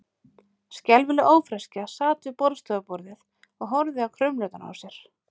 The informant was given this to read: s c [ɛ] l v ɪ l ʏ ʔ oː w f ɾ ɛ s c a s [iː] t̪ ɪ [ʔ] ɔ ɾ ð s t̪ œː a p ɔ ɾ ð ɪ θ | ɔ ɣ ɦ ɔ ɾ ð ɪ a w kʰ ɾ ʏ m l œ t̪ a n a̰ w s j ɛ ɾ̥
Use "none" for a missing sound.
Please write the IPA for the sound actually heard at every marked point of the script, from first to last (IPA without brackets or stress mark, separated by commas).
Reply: ɛ, aː, p